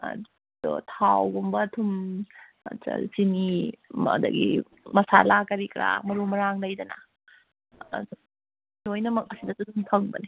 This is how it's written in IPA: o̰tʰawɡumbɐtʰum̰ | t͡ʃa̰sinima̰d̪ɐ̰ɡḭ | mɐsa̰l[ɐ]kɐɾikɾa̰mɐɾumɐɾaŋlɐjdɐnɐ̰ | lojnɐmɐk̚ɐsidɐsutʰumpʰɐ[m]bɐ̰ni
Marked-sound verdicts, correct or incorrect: incorrect, incorrect

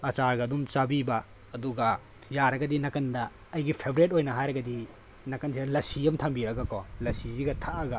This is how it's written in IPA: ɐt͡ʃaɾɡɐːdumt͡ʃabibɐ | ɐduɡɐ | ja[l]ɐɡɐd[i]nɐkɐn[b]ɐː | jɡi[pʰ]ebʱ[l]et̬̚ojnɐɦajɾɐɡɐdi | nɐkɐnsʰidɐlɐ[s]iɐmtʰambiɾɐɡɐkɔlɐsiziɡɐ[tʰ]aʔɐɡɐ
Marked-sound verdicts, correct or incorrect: incorrect, correct, incorrect, correct, incorrect, correct, correct

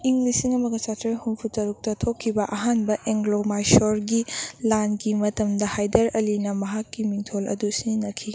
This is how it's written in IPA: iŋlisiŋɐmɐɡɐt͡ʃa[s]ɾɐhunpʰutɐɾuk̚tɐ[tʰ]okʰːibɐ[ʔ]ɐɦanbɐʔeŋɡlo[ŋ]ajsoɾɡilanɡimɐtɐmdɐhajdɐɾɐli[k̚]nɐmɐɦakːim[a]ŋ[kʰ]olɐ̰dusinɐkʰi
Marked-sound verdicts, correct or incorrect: incorrect, correct, correct, incorrect, incorrect, incorrect, incorrect

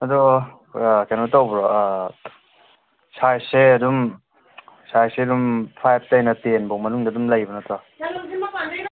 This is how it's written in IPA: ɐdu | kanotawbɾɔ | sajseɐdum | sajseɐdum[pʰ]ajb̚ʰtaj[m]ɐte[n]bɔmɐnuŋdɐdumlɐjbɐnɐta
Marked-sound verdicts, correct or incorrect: correct, incorrect, correct

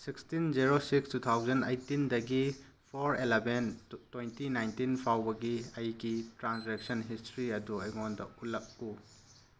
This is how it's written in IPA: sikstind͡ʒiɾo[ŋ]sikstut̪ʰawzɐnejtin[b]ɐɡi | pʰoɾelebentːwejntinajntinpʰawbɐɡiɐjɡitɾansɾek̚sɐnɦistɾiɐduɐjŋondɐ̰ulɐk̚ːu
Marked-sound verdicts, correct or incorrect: incorrect, incorrect

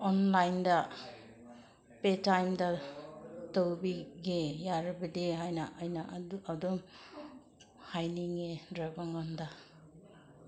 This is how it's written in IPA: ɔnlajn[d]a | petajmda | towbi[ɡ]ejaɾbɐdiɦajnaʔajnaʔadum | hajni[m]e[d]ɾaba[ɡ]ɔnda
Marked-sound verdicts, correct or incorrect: correct, correct, incorrect, correct, incorrect

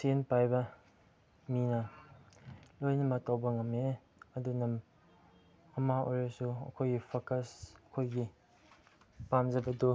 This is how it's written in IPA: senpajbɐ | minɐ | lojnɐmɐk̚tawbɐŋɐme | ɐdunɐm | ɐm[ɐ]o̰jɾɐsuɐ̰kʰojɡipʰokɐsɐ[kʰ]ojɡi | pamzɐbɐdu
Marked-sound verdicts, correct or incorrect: incorrect, correct

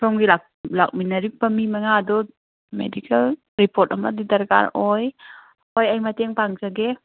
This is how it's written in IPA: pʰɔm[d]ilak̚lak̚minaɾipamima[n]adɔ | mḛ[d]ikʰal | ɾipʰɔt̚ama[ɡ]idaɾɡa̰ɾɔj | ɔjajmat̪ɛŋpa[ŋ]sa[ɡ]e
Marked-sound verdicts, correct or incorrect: incorrect, incorrect, correct, incorrect, correct, correct

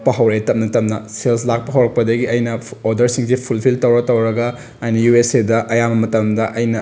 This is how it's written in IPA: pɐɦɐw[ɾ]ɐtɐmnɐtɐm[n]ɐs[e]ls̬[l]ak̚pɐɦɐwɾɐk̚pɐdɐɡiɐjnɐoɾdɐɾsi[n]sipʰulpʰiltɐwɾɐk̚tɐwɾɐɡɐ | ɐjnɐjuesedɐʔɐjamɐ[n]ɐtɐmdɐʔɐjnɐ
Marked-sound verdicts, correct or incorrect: correct, correct, correct, correct, incorrect, incorrect

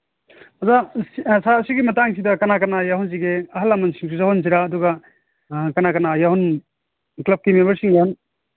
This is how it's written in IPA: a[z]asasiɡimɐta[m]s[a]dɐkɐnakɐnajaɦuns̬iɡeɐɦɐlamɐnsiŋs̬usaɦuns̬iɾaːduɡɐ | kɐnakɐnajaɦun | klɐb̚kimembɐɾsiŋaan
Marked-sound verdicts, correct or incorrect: correct, incorrect, incorrect

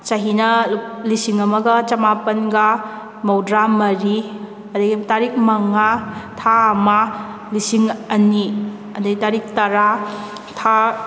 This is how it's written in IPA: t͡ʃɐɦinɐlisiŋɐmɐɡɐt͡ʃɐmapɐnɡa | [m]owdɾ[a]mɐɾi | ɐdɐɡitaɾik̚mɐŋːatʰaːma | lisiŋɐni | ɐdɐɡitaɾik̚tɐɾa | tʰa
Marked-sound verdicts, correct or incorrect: correct, correct

